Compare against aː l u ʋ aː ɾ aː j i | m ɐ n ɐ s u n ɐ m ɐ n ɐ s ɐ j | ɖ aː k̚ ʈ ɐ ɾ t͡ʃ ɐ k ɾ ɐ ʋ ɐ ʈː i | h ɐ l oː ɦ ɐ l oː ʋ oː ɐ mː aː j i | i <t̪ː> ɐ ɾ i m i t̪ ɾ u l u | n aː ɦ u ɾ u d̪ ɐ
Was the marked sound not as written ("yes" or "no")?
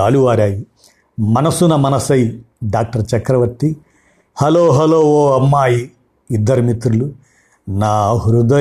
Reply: yes